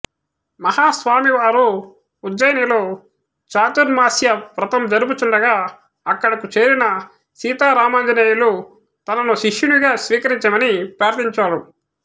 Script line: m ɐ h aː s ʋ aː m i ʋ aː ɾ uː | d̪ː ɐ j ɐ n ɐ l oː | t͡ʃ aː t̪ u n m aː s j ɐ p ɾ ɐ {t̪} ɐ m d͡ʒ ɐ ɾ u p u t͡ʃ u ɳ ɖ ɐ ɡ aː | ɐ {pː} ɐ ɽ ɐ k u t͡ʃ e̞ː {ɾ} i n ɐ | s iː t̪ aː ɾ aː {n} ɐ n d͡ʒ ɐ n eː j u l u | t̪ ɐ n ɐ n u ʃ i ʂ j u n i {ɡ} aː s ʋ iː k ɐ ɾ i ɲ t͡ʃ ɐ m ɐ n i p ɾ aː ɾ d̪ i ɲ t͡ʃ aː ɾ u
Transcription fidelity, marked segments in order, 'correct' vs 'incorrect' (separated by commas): correct, incorrect, correct, incorrect, correct